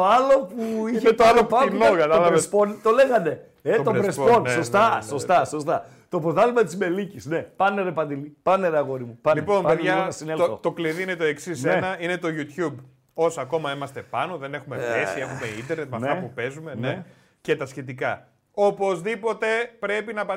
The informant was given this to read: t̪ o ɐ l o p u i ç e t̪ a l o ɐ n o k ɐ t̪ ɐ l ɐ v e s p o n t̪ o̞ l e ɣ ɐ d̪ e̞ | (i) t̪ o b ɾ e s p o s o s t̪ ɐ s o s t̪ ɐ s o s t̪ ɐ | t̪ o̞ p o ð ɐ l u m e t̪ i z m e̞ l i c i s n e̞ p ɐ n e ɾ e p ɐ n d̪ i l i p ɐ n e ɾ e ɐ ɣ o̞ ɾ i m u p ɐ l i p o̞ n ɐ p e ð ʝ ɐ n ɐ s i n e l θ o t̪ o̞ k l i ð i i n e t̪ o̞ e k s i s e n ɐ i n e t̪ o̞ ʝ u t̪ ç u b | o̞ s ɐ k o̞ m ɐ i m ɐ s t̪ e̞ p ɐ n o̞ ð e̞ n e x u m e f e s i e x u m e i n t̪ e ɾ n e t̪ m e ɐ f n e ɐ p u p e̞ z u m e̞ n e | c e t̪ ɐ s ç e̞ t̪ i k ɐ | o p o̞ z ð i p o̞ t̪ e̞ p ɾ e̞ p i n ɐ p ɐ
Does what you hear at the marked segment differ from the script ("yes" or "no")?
yes